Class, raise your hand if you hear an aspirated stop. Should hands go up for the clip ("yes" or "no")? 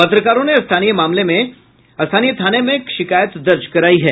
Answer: yes